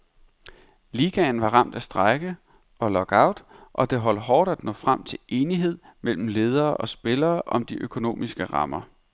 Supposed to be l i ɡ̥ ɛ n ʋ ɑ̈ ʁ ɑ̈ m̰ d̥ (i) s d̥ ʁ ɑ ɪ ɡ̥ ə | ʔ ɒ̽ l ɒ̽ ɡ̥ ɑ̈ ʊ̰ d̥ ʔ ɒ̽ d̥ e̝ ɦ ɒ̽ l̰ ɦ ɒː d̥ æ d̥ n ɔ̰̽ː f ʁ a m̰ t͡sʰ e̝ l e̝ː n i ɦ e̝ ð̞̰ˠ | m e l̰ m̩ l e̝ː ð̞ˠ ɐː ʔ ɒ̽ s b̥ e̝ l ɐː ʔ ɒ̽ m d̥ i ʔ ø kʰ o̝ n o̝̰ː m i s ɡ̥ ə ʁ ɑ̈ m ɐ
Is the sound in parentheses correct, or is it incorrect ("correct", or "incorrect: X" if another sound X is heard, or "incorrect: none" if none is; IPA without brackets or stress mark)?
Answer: incorrect: æ